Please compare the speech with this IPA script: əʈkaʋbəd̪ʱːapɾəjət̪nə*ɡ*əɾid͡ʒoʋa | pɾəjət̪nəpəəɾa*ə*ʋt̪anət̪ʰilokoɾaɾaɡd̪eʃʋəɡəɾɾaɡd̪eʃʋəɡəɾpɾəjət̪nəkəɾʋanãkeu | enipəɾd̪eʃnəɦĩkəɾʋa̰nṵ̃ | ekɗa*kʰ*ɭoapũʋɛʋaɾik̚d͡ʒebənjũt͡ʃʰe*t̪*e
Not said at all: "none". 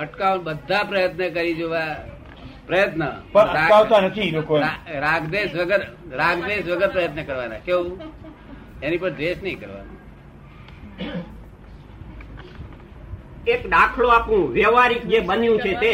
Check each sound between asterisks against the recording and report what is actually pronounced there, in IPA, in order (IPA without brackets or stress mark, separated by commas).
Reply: k, a, kʰ, t̪